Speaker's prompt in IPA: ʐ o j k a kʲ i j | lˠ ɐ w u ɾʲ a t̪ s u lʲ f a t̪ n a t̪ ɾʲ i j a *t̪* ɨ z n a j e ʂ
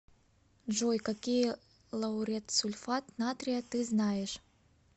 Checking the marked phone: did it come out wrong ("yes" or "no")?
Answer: no